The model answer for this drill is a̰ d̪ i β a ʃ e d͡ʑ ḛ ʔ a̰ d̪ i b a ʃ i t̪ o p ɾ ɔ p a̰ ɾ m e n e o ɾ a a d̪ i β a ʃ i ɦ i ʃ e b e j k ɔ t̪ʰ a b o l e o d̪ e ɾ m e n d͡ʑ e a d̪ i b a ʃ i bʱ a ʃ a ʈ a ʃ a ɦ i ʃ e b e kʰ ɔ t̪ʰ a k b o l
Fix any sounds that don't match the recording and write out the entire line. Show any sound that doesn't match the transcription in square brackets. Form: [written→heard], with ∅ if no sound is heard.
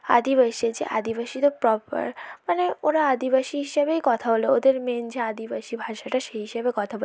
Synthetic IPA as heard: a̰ d̪ i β a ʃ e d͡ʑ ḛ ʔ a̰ d̪ i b a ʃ i t̪ o p ɾ ɔ p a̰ ɾ m [e→a] n e o ɾ a a d̪ i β a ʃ i ɦ i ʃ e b e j k ɔ t̪ʰ a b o l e o d̪ e ɾ m e n d͡ʑ e a d̪ i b a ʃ i bʱ a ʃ a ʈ a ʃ [a→e] ɦ i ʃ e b e [kʰ→k] ɔ t̪ʰ a [k→∅] b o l

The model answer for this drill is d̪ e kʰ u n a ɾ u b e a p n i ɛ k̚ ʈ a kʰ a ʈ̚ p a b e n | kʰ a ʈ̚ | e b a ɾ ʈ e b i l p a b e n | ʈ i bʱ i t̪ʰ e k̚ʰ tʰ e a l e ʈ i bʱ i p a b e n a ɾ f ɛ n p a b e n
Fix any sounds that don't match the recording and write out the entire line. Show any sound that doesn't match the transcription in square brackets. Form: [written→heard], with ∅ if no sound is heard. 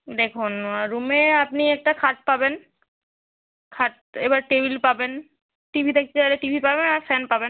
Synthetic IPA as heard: d̪ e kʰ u n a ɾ u [b→m] e a p n i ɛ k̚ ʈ a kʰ a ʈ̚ p a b e n | kʰ a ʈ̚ | e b a ɾ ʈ e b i l p a b e n | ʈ i bʱ i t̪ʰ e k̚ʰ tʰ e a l e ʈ i bʱ i p a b e n a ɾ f ɛ n p a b e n

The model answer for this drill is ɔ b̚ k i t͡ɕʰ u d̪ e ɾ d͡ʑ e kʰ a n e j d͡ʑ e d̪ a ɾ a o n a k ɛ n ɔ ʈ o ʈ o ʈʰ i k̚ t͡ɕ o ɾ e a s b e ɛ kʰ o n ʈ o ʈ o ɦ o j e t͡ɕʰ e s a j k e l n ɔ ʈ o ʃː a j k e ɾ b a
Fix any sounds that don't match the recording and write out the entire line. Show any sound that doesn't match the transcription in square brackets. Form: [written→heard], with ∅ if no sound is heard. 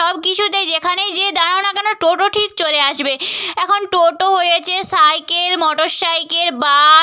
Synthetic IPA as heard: ɔ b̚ k i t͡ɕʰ u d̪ e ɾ d͡ʑ e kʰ a n e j d͡ʑ e d̪ a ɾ a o n a k ɛ n [ɔ→o] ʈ o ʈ o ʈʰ i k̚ t͡ɕ o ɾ e a [s→ʃ] b e ɛ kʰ o n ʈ o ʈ o ɦ o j e t͡ɕʰ e s a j k e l [n→m] ɔ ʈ o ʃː a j k e ɾ b a

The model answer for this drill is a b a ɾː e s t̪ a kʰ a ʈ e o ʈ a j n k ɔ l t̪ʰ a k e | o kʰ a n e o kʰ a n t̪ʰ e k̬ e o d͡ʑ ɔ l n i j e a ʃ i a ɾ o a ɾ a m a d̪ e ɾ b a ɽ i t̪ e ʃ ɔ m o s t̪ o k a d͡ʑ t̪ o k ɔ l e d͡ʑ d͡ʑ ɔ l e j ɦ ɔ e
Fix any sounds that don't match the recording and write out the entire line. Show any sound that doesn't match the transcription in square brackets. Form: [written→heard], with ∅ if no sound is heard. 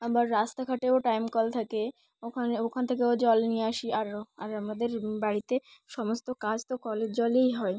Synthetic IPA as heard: a b a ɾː [e→a] s t̪ a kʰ a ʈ e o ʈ a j [n→m] k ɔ l t̪ʰ a k e | o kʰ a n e o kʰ a n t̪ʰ e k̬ e o d͡ʑ ɔ l n i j e a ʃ i a ɾ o a ɾ a m a d̪ e ɾ b a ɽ i t̪ e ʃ ɔ m o s t̪ o k a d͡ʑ t̪ o k ɔ l e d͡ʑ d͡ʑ ɔ l e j ɦ ɔ e

